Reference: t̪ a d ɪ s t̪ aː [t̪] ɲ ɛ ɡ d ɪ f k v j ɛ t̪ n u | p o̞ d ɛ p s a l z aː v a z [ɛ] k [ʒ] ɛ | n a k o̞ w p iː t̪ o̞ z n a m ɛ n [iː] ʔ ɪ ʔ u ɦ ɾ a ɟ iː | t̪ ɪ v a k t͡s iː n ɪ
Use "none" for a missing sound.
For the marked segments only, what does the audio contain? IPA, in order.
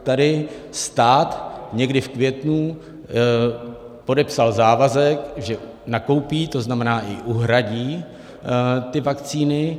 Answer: t̪, ɛ, ʒ, aː

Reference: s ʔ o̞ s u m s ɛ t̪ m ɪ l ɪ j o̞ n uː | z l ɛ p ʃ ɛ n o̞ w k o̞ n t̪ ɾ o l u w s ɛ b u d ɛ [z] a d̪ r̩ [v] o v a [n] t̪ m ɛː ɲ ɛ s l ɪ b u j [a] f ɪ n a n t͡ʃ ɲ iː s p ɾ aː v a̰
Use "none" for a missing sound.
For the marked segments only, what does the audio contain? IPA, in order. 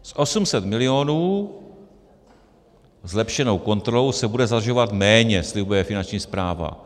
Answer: z, ʒ, none, ɛ

